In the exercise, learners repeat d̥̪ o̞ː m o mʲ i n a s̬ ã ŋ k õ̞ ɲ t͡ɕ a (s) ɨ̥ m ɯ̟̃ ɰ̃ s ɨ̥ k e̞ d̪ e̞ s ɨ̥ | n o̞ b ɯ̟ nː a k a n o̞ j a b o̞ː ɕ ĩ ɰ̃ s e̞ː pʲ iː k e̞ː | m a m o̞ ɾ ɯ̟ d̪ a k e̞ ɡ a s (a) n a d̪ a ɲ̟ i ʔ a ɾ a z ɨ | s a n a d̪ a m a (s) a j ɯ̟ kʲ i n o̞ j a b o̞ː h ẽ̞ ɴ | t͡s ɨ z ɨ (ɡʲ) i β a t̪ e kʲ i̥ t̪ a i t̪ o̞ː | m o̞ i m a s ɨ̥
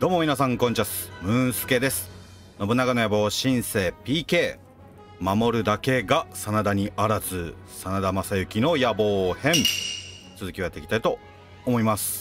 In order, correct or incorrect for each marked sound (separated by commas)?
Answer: correct, correct, correct, incorrect